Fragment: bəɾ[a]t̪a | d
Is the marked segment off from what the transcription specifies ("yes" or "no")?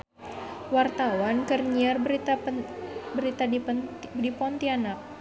yes